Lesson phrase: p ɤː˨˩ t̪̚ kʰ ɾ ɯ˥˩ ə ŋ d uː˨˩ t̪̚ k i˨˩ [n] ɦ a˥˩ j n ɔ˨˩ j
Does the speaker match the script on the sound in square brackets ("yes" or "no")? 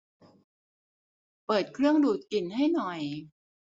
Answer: yes